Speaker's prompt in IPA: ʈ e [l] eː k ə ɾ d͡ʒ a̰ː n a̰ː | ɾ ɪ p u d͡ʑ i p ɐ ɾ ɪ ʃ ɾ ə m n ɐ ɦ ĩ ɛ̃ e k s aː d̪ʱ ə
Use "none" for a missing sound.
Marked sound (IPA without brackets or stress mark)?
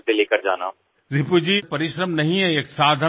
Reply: l